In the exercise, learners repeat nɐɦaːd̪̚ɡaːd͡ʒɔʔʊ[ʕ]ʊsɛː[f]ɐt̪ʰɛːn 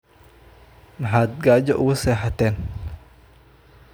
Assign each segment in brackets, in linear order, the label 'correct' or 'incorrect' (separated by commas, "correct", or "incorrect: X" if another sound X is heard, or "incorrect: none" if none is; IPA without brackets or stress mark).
incorrect: ɣ, incorrect: ħ